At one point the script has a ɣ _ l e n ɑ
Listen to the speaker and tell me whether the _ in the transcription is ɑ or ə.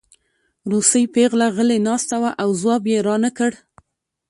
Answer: ə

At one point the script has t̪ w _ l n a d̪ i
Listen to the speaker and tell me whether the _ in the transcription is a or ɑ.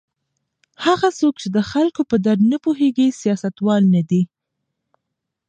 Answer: ɑ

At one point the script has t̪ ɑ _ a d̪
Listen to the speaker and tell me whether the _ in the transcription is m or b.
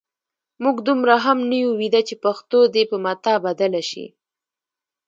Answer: b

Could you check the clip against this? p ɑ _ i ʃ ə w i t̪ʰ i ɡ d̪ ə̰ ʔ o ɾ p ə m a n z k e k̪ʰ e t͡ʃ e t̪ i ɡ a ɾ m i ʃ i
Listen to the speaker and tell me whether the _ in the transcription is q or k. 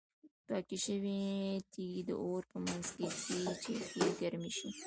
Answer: k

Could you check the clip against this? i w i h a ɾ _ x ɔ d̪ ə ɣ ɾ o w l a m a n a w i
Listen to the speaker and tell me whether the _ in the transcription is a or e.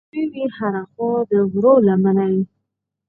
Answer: a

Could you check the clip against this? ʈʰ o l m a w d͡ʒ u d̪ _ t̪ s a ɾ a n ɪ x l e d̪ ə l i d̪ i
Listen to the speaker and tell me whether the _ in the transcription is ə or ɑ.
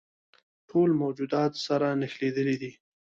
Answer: ɑ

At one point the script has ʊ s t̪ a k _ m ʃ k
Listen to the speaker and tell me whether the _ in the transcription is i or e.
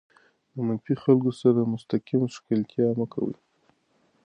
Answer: i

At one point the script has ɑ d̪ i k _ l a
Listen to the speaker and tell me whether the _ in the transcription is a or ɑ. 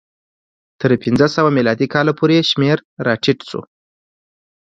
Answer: ɑ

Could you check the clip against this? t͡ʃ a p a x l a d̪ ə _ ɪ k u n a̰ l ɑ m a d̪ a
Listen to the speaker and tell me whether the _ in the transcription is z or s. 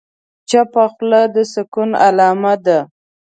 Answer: s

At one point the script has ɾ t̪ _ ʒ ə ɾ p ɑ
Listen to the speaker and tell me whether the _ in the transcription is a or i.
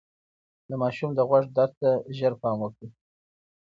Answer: a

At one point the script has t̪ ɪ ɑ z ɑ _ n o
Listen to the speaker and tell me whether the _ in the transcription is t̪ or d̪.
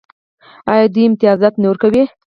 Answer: t̪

